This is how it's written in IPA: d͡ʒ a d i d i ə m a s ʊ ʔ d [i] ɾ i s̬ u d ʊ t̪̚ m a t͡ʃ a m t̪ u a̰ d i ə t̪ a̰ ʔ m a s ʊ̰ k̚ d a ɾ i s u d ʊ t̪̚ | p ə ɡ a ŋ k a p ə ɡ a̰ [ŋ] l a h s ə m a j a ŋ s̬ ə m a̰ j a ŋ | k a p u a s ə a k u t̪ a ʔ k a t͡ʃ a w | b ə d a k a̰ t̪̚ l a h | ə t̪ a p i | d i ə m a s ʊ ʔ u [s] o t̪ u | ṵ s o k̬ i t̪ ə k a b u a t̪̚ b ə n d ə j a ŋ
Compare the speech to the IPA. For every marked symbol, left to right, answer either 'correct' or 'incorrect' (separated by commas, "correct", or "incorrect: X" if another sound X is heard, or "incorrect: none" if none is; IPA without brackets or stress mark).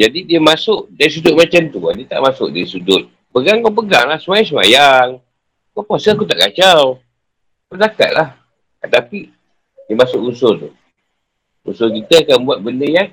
incorrect: a, correct, correct